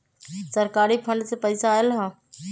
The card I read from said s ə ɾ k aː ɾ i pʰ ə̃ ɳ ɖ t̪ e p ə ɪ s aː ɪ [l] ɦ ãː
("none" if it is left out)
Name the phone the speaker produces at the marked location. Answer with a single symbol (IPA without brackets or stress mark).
l